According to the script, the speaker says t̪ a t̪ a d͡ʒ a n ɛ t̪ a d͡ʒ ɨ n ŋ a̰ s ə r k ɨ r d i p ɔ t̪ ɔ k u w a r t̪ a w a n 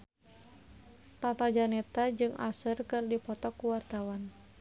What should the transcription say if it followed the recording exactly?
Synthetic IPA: t̪ a t̪ a d͡ʒ a n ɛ t̪ a d͡ʒ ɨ ŋ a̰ s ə r k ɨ r d i p ɔ t̪ ɔ k u w a r t̪ a w a n